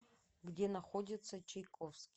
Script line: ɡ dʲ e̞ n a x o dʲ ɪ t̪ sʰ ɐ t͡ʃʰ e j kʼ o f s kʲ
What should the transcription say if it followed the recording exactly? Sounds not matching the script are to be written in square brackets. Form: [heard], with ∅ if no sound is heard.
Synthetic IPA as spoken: ɡ dʲ e̞ n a [χ] o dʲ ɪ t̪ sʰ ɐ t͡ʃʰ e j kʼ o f s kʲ

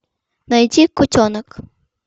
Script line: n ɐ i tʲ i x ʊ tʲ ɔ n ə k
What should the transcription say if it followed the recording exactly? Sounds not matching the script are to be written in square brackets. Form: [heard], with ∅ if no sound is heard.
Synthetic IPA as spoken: n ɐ [j] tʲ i [k] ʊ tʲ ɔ n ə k

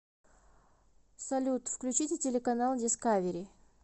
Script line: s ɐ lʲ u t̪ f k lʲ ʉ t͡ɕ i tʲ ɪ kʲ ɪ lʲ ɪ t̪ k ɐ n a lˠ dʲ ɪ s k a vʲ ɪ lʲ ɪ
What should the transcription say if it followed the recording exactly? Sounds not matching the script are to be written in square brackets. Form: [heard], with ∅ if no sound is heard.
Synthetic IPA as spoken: s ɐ lʲ u t̪ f k lʲ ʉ t͡ɕ i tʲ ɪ [tʲ] ɪ lʲ ɪ [∅] k ɐ n a lˠ dʲ ɪ s k a vʲ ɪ [ɾʲ] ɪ

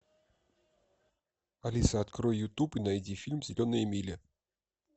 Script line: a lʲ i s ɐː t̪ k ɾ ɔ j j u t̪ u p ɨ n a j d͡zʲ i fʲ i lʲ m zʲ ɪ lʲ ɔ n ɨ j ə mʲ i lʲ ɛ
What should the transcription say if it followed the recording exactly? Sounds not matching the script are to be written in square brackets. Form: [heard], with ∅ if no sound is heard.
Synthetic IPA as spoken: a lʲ i s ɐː t̪ k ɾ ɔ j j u t̪ u p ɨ n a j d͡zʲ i fʲ i lʲ m zʲ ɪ lʲ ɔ n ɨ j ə mʲ i lʲ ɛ

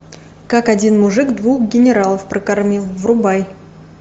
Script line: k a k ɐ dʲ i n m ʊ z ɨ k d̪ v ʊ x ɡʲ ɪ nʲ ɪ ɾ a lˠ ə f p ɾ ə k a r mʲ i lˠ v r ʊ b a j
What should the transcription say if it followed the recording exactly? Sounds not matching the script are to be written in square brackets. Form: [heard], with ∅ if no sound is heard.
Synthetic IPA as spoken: k a k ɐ dʲ i n m ʊ [ʐ] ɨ k d̪ v [u] x ɡʲ ɪ nʲ ɪ ɾ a lˠ ə f p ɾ ə k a r mʲ i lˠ v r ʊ b a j

